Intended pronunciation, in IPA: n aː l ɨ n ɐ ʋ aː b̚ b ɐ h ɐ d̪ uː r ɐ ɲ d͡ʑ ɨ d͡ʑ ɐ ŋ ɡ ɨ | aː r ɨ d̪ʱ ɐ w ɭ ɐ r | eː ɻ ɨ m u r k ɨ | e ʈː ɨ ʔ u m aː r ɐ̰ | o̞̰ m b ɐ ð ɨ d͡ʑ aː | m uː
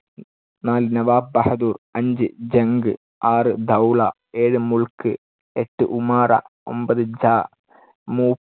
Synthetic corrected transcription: n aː l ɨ n ɐ ʋ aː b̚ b ɐ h ɐ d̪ uː r ɐ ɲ d͡ʑ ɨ d͡ʑ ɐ ŋ ɡ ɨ | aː r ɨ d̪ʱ ɐ w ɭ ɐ | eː ɻ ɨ m u ɭ k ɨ | e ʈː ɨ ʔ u m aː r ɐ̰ | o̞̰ m b ɐ ð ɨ d͡ʑ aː | m uː